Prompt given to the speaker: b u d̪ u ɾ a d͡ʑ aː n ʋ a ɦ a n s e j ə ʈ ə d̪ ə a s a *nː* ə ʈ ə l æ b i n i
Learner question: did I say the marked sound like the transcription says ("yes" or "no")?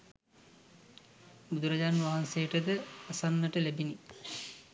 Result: yes